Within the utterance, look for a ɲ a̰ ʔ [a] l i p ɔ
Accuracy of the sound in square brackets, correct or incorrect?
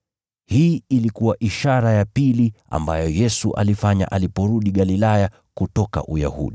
correct